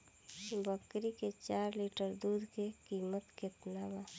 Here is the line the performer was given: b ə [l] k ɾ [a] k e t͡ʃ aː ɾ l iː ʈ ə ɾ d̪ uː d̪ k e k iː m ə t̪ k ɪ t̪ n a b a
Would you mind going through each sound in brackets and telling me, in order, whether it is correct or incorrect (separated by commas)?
incorrect, incorrect